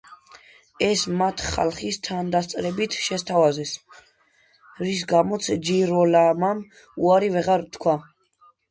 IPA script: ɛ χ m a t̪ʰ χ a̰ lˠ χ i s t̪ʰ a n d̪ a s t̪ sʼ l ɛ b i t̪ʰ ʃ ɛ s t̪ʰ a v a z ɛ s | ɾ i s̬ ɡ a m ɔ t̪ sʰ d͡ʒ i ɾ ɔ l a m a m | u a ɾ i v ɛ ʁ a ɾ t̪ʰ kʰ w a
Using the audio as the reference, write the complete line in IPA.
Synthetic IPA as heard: ɛ s m a t̪ʰ χ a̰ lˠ χ i s t̪ʰ a n d̪ a s t̪ sʼ ɾ ɛ b i t̪ʰ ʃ ɛ s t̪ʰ a v a z ɛ s | ɾ i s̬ ɡ a m ɔ t̪ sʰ d͡ʒ i ɾ ɔ l a m a m | u a ɾ i v ɛ ʁ a ɾ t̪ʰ kʰ w a

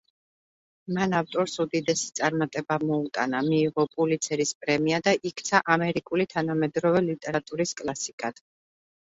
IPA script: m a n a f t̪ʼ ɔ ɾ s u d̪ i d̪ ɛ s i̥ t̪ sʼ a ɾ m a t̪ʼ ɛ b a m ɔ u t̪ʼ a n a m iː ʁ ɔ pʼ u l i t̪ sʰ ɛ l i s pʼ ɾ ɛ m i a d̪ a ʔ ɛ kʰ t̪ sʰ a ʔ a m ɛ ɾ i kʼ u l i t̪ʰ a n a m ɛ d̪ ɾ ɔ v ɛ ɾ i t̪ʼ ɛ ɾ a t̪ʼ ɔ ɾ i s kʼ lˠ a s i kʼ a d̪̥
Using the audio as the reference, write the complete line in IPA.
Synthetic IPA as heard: m a n a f t̪ʼ ɔ ɾ s u d̪ i d̪ ɛ s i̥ t̪ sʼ a ɾ m a t̪ʼ ɛ b a m ɔ u t̪ʼ a n a m iː ʁ ɔ pʼ u l i t̪ sʰ ɛ ɾ i s pʼ ɾ ɛ m i a d̪ a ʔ i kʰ t̪ sʰ a ʔ a m ɛ ɾ i kʼ u l i t̪ʰ a n a m ɛ d̪ ɾ ɔ v ɛ l i t̪ʼ ɛ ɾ a t̪ʼ u ɾ i s kʼ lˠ a s i kʼ a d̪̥

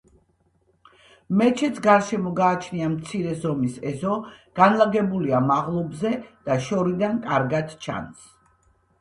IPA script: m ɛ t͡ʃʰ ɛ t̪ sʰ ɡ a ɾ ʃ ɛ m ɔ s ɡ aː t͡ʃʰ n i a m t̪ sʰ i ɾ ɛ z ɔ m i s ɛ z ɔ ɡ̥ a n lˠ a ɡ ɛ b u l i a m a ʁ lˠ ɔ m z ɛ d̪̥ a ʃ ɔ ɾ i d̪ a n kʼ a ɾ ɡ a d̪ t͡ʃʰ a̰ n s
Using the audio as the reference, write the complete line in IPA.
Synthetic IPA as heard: m ɛ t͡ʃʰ ɛ t̪ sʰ ɡ a ɾ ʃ ɛ m ɔ ɡ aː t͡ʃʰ n i a m t̪ sʰ i ɾ ɛ z ɔ m i s ɛ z ɔ ɡ̥ a n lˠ a ɡ ɛ b u l i a m a ʁ lˠ ɔ b z ɛ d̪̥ a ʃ ɔ ɾ i d̪ a n kʼ a ɾ ɡ a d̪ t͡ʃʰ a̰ n s

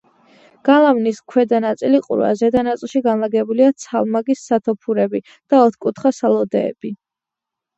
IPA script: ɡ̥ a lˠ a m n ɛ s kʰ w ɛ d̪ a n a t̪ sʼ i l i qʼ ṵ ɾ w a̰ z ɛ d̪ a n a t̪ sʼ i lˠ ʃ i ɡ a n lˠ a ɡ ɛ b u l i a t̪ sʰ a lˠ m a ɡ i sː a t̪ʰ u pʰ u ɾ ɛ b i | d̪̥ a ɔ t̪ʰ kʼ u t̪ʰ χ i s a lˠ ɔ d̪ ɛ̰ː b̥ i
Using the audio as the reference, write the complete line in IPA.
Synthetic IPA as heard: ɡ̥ a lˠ a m n i s kʰ w ɛ d̪ a n a t̪ sʼ i l i qʼ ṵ ɾ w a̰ z ɛ d̪ a n a t̪ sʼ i lˠ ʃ i ɡ a n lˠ a ɡ ɛ b u l i a t̪ sʰ a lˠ m a ɡ i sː a t̪ʰ ɔ pʰ u ɾ ɛ b i | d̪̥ a ɔ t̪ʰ kʼ u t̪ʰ χ a s a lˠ ɔ d̪ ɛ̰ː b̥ i

